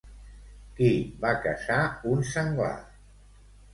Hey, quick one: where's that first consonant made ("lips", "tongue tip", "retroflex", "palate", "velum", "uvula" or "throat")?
velum